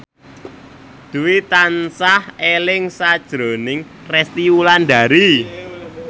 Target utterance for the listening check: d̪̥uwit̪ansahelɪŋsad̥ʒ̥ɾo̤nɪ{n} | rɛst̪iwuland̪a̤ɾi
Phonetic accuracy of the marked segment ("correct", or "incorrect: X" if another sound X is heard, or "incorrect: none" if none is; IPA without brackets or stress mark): incorrect: ŋ